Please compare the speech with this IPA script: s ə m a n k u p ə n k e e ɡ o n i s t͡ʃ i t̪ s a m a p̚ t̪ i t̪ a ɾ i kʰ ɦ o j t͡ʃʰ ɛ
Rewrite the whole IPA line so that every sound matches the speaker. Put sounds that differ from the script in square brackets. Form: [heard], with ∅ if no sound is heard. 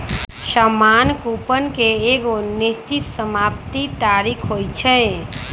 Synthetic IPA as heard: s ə m a n k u p ə n k e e ɡ o n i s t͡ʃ i t̪ s [ə] m a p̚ t̪ i t̪ a ɾ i kʰ ɦ o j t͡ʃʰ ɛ